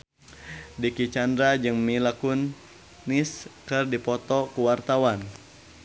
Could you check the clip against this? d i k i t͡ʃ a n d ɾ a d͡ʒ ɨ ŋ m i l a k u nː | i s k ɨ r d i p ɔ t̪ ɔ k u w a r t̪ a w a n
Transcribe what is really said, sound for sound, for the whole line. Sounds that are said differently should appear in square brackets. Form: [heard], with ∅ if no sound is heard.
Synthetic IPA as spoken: d i k i t͡ʃ a n d ɾ a d͡ʒ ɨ ŋ m i l a k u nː | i s k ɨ r d i p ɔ t̪ ɔ k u w a r t̪ a w a n